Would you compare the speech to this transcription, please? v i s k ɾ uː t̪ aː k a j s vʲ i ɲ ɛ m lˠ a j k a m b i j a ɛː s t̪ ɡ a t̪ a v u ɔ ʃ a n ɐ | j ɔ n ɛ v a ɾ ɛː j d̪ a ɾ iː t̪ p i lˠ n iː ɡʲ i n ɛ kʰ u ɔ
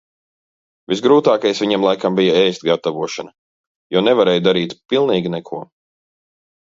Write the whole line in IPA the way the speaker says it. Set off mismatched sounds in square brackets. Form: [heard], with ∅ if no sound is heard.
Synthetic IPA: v i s [ɡ] ɾ uː t̪ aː k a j s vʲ i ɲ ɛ m lˠ a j k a m b i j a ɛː s t̪ ɡ a t̪ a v u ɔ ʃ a n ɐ | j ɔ n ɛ v a ɾ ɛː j d̪ a ɾ iː t̪ p i lˠ n iː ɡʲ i n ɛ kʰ u ɔ